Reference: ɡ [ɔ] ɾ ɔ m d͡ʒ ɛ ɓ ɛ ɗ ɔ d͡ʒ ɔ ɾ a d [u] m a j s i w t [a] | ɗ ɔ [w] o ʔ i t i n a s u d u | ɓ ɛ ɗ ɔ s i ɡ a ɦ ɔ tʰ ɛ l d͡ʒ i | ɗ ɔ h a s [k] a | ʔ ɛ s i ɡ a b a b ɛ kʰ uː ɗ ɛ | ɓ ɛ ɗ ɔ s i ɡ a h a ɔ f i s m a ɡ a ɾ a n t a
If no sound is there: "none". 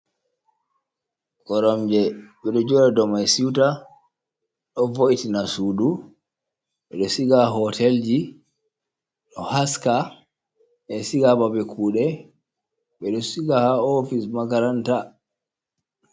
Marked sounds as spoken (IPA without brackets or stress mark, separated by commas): ɔ, ɔ, a, v, k